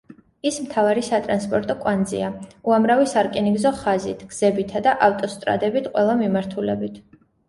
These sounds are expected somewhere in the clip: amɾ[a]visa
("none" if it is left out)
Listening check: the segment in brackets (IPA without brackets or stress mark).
a